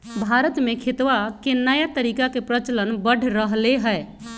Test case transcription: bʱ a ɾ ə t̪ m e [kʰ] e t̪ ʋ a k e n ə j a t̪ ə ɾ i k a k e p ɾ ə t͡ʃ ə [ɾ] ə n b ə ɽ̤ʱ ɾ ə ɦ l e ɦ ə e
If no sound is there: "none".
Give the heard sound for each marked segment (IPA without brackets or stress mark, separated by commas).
kʰ, l